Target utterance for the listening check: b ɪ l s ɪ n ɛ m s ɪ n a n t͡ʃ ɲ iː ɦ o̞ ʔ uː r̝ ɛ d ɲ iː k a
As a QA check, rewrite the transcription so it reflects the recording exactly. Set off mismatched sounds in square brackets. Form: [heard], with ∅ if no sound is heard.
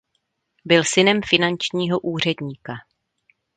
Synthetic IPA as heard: b ɪ l s ɪ n ɛ m [f] ɪ n a n t͡ʃ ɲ iː ɦ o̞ ʔ uː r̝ ɛ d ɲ iː k a